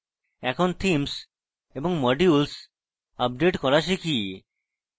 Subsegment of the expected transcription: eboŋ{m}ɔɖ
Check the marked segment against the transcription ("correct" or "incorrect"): correct